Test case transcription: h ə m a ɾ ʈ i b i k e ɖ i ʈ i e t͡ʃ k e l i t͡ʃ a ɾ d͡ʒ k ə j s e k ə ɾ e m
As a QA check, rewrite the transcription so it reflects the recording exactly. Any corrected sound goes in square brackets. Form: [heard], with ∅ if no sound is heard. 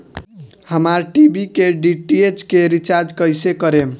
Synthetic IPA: h ə m a ɾ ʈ i b i k e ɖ i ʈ i e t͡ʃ k e [ɾ] i t͡ʃ a ɾ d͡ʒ k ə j s e k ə ɾ e m